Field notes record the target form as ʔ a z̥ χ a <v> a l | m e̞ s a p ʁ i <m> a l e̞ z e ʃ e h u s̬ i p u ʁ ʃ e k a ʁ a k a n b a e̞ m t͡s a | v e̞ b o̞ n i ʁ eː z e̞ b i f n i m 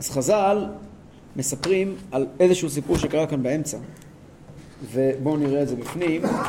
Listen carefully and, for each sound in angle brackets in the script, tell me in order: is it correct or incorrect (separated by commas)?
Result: incorrect, correct